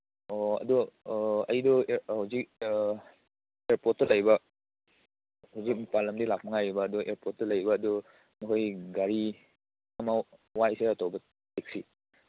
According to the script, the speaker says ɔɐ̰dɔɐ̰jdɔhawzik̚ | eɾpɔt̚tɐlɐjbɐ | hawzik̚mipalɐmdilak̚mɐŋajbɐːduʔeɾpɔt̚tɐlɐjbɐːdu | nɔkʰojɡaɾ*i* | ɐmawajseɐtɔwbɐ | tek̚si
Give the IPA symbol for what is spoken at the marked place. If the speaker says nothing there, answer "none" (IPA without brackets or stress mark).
i